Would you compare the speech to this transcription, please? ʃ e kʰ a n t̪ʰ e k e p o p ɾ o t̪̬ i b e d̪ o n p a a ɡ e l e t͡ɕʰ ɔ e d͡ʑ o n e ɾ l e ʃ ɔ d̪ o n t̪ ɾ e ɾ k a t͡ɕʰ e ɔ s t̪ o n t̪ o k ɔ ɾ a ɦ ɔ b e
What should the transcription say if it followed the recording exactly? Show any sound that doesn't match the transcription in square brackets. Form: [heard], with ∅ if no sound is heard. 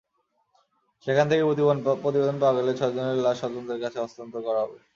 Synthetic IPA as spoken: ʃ e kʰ a n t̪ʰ e k e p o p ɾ o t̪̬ i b e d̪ o n p a a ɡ e l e t͡ɕʰ ɔ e d͡ʑ o n e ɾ l [a] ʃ ɔ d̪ o n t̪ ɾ e ɾ k a t͡ɕʰ e ɔ s t̪ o n t̪ o k ɔ ɾ a ɦ ɔ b e